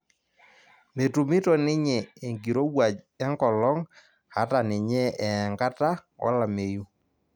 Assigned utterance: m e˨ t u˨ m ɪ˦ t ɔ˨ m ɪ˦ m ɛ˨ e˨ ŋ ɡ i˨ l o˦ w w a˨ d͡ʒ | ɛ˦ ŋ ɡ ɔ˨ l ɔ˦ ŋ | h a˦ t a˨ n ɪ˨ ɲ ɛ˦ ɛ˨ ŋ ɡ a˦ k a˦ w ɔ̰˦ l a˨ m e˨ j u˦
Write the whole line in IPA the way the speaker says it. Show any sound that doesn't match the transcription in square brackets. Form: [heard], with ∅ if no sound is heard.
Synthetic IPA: m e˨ t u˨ m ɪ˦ t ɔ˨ [n] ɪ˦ [ɲ] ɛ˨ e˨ ŋ ɡ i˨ [ɾ] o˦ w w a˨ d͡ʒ | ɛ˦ ŋ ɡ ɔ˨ l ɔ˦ ŋ | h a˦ t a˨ n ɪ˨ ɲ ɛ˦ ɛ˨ ŋ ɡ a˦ [t] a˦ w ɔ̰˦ l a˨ m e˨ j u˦